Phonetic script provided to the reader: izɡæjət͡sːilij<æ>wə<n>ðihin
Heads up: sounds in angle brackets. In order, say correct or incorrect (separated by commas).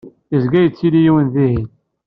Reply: incorrect, correct